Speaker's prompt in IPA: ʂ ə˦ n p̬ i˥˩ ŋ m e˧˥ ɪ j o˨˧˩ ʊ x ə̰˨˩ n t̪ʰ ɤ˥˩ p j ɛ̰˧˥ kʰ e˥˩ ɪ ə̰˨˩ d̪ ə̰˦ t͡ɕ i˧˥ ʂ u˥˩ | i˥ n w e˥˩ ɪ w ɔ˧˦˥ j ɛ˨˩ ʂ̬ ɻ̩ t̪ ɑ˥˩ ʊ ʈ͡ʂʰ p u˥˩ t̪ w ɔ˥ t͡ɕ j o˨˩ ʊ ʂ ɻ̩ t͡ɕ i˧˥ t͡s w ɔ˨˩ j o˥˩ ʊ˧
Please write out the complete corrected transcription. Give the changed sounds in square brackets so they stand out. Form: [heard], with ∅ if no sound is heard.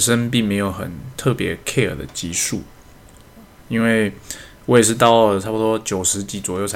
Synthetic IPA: ʂ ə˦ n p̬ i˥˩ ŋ m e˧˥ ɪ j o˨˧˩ ʊ x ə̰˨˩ n t̪ʰ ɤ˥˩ p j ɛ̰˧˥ kʰ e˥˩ ɪ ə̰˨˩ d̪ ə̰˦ t͡ɕ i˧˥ ʂ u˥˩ | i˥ n w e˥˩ ɪ w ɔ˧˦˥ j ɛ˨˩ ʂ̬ ɻ̩ t̪ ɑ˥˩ ʊ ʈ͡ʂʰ p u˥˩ t̪ w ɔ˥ t͡ɕ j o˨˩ ʊ ʂ ɻ̩ t͡ɕ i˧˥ t͡s w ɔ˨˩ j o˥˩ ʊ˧